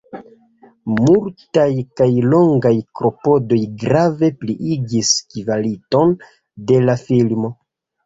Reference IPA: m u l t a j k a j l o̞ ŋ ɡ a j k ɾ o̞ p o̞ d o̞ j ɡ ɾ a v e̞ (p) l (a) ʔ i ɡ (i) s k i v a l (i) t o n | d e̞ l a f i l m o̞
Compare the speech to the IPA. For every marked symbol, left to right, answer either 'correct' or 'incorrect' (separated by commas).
correct, incorrect, correct, correct